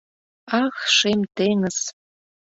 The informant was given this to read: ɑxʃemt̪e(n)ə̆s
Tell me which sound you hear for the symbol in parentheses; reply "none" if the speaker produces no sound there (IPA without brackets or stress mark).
ŋ